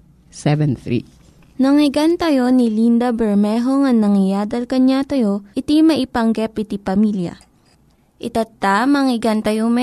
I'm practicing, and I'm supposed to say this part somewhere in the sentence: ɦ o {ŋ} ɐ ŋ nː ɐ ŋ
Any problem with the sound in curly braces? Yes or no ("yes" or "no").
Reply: no